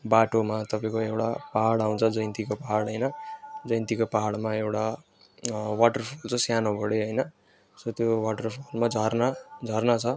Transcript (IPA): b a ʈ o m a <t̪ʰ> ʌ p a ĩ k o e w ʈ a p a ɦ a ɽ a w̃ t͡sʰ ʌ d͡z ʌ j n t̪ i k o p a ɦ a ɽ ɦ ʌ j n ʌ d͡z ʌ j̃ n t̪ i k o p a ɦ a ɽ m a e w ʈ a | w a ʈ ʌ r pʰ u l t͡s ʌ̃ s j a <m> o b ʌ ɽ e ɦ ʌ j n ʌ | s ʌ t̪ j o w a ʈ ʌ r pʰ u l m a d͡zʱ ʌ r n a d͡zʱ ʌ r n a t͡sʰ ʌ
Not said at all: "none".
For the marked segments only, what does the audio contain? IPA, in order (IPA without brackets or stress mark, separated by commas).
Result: t̪, n